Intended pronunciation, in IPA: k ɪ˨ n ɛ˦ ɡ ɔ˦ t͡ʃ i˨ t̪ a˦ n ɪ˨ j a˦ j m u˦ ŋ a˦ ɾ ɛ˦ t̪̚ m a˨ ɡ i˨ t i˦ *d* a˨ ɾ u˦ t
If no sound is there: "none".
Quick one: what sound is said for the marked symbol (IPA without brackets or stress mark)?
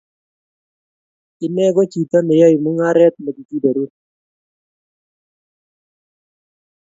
d